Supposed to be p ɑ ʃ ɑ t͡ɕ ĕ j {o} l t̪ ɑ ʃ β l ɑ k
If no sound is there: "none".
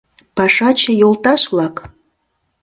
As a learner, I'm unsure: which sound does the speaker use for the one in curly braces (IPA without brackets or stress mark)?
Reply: o